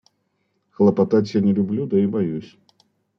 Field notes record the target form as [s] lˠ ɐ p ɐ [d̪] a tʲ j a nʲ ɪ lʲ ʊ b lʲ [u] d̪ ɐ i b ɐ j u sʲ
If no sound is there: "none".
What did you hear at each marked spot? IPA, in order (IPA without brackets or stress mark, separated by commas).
x, t̪, u